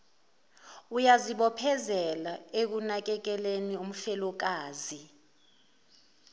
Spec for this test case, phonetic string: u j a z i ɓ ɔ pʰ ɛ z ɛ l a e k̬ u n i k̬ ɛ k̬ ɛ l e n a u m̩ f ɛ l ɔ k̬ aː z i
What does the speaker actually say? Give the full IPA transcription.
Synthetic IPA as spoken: u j a z i ɓ ɔ pʰ ɛ z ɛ l a e k̬ u n a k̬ ɛ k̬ ɛ l e n i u m̩ f ɛ l ɔ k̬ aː z i